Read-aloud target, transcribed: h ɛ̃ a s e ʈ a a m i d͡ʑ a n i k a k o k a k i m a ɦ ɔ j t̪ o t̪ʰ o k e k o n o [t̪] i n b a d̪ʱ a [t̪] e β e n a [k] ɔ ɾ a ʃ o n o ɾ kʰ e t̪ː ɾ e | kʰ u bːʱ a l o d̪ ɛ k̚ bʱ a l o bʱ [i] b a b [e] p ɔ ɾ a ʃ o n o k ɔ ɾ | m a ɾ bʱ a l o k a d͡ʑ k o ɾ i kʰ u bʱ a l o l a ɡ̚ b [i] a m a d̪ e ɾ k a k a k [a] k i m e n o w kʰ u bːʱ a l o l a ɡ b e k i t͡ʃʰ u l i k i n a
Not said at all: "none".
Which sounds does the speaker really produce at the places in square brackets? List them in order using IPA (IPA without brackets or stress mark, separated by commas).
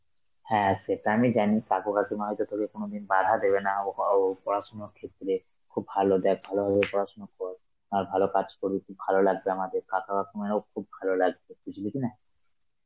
d̪, d̪, p, a, e, e, a